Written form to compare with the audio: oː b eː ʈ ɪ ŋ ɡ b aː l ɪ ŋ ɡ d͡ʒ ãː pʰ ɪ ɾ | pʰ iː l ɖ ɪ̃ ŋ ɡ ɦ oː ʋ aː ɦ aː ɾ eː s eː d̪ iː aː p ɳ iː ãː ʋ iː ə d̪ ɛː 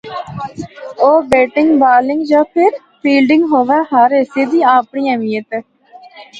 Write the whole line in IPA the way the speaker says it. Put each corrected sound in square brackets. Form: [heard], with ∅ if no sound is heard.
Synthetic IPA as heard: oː b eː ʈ ɪ ŋ ɡ b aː l ɪ ŋ ɡ d͡ʒ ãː pʰ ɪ ɾ | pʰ iː l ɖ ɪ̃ ŋ ɡ ɦ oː ʋ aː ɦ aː ɾ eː s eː d̪ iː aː p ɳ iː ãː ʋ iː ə [t̪] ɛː